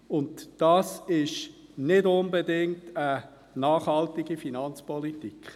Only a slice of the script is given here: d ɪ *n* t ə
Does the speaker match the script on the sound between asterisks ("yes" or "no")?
no